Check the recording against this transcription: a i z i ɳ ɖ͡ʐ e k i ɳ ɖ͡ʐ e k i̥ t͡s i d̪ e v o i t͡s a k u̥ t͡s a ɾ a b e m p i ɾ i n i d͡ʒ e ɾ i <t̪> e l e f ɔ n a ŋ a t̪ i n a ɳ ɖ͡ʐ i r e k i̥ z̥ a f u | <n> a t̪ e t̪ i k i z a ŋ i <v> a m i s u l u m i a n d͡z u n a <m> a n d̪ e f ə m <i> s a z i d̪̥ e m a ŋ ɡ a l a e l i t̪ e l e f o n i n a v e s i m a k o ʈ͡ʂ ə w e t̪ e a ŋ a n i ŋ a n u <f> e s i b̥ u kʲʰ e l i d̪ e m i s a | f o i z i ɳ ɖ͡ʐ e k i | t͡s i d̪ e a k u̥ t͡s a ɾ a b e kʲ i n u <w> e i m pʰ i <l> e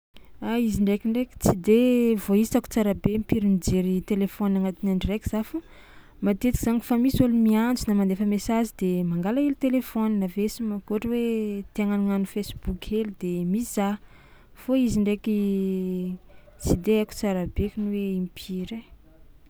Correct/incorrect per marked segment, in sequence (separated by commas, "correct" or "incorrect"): correct, incorrect, incorrect, correct, incorrect, correct, correct, incorrect